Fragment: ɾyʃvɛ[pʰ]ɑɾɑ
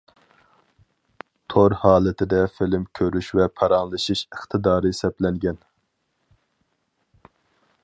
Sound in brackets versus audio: correct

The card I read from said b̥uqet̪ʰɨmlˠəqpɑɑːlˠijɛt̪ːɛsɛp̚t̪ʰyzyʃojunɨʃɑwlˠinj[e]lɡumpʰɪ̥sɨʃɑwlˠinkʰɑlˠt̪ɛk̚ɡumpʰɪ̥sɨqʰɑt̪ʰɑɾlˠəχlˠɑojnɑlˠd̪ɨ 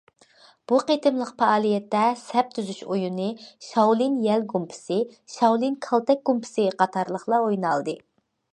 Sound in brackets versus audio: incorrect: ɛ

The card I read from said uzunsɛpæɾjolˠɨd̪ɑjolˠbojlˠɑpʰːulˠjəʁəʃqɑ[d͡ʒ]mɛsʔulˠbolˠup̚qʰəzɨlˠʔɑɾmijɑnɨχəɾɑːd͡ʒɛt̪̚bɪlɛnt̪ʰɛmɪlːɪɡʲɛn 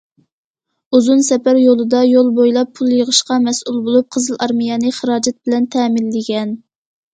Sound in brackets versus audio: incorrect: none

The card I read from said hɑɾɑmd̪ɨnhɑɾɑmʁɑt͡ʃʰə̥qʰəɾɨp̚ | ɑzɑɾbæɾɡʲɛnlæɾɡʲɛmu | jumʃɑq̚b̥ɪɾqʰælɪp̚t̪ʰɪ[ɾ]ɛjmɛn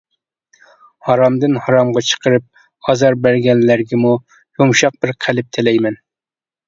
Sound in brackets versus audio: incorrect: l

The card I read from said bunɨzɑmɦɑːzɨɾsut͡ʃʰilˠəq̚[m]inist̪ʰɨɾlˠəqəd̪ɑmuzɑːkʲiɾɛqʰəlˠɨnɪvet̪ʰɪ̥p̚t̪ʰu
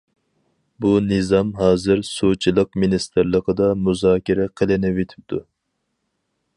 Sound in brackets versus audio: correct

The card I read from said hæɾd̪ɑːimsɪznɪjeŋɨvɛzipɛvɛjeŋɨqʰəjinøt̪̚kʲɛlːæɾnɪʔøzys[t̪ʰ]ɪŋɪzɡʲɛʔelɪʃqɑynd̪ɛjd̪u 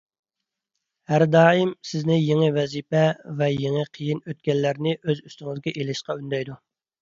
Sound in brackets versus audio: incorrect: t̪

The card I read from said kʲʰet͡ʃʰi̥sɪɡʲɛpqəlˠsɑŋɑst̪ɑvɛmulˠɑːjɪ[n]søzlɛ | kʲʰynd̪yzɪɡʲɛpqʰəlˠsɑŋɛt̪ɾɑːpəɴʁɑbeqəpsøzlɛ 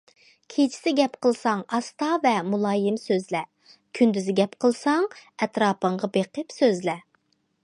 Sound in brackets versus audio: incorrect: m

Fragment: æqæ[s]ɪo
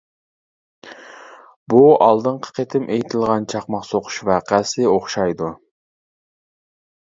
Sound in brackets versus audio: correct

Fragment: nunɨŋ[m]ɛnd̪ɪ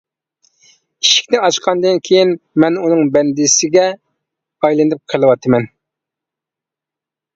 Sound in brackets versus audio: incorrect: b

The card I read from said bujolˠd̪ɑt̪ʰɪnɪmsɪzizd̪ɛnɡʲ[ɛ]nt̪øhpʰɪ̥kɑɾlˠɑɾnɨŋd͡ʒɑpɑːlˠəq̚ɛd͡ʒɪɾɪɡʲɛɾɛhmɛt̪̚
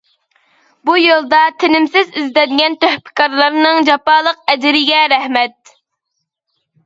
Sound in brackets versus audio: correct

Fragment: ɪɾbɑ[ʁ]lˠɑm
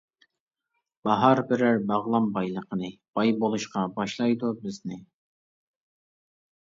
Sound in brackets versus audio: correct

